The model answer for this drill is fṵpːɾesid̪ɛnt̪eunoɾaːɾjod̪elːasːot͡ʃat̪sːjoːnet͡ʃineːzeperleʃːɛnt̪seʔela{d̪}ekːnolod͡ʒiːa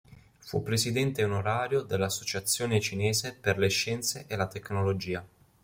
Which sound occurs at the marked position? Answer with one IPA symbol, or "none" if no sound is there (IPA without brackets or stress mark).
t̪